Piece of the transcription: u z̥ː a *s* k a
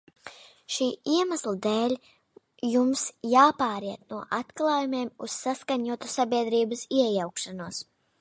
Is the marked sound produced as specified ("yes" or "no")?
yes